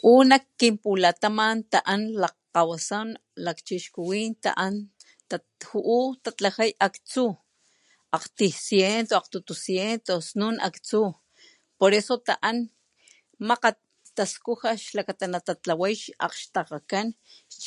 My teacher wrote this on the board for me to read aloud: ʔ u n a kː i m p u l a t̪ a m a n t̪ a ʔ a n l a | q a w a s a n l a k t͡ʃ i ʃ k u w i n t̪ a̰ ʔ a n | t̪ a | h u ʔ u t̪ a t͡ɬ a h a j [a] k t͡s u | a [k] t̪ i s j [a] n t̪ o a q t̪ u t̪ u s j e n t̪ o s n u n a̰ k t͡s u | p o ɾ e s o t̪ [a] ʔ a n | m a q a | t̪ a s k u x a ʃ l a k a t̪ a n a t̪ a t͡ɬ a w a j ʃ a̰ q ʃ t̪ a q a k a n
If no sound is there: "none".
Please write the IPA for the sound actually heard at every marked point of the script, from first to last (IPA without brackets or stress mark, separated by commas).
a, q, e, a